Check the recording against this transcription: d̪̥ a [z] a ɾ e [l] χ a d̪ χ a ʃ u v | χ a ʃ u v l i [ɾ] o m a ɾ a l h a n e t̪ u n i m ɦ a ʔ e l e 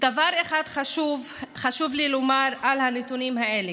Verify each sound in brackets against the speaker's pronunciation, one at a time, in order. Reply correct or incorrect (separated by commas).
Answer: incorrect, incorrect, incorrect